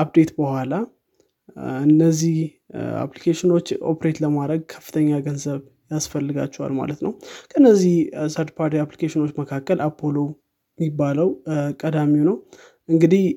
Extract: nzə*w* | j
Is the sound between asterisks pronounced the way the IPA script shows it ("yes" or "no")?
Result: no